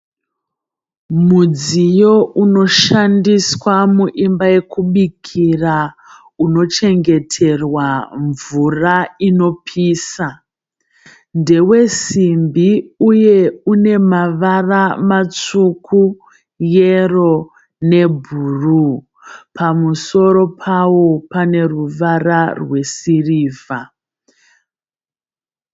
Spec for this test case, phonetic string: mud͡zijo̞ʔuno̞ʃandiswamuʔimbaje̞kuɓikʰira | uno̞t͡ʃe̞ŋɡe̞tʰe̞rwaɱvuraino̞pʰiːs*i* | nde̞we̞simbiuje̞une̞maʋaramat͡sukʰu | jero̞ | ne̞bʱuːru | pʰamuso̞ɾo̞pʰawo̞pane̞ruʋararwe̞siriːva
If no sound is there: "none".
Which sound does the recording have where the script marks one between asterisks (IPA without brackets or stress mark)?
a